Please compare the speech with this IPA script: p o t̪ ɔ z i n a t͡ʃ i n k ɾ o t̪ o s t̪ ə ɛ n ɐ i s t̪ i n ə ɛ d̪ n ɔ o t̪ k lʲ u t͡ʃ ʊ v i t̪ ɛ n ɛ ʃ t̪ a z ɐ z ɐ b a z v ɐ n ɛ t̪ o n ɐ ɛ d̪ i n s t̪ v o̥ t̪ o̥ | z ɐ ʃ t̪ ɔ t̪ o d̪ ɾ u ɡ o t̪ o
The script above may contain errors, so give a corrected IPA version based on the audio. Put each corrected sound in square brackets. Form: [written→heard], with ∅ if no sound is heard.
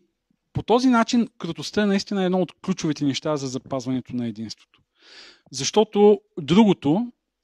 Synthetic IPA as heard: p o t̪ ɔ z i n a t͡ʃ i n k ɾ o t̪ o s t̪ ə ɛ n ɐ i s t̪ i n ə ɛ d̪ n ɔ o t̪ k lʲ u t͡ʃ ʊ v i t̪ ɛ n ɛ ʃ t̪ a z ɐ z ɐ [b→p] a z v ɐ n ɛ t̪ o n ɐ ɛ d̪ i n s t̪ v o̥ t̪ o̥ | z ɐ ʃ t̪ ɔ t̪ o d̪ ɾ u ɡ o t̪ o